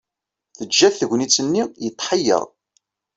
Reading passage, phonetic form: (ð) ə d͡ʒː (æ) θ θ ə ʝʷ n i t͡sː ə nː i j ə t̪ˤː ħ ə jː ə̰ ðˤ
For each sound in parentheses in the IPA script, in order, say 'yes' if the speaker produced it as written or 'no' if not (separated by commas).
no, yes